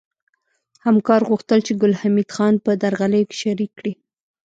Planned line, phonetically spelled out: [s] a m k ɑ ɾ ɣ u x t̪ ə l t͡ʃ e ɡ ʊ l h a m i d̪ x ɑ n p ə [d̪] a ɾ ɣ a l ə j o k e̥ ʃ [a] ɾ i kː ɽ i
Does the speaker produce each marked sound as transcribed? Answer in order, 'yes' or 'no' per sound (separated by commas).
no, yes, yes